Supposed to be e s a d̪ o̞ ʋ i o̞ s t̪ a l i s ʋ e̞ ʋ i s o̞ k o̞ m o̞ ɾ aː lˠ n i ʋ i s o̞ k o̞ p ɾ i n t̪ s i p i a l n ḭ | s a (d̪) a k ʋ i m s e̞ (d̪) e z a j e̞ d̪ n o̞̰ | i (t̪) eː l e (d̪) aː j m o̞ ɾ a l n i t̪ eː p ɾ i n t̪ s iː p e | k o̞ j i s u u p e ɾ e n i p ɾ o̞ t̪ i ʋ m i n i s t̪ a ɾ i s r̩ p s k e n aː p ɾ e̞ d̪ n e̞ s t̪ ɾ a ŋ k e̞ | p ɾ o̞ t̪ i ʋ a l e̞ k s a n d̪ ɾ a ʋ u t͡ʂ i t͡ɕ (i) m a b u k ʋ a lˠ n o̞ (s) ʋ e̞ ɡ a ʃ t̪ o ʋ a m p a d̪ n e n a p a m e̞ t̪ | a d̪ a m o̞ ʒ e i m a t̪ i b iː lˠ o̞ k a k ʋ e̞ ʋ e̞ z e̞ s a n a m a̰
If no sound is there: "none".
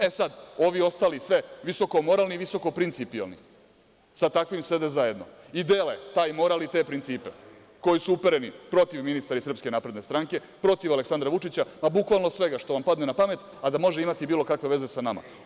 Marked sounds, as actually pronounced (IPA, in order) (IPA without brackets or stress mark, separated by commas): t̪, d̪, d̪, t̪, a, s